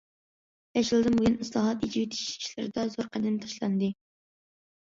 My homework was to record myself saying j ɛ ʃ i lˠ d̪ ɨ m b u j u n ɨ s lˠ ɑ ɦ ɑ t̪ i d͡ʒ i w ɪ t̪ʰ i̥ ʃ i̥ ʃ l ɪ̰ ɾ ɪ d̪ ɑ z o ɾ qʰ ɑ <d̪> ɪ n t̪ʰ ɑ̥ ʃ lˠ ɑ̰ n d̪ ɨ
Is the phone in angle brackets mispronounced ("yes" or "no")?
no